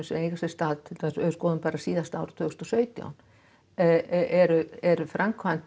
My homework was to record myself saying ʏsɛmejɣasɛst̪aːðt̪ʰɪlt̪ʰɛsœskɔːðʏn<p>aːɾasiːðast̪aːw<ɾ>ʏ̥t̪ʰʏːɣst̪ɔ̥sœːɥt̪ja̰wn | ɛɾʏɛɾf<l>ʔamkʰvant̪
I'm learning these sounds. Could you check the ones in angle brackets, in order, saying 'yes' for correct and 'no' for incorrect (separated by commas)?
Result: yes, yes, no